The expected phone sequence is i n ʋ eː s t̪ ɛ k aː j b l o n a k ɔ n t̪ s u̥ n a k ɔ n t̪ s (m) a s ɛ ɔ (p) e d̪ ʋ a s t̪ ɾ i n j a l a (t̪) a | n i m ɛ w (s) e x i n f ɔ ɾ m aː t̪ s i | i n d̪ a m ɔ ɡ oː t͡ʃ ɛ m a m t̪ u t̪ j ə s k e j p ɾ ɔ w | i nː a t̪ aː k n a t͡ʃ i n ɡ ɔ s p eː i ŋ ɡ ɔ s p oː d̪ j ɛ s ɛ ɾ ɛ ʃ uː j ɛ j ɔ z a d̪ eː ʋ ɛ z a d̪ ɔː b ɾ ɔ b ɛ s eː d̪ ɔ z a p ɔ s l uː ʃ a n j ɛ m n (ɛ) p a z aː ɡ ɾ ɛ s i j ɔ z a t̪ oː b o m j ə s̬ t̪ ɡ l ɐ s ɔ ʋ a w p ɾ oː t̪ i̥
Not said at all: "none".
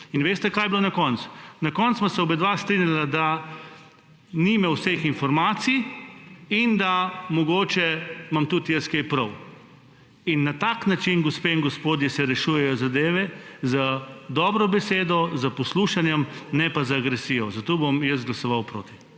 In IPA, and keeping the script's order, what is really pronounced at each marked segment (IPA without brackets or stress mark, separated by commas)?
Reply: m, b, d̪, s, ɛ